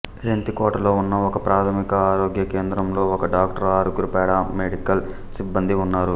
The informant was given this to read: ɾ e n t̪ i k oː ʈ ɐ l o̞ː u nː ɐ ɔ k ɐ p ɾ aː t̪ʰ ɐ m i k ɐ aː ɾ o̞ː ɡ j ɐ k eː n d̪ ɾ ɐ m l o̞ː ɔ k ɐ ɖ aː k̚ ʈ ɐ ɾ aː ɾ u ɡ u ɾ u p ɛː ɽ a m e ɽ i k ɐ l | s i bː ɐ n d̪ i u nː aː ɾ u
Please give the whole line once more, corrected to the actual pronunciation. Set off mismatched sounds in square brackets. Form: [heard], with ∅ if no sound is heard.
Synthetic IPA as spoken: ɾ e n t̪ i k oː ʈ ɐ l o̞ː u nː ɐ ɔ k ɐ p ɾ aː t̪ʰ ɐ m i k ɐ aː ɾ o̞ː ɡ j ɐ k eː n d̪ ɾ ɐ m l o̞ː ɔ k ɐ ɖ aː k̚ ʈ ɐ ɾ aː ɾ u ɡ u ɾ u p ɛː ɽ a m e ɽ i k ɐ l | s i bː ɐ n d̪ i u nː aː ɾ u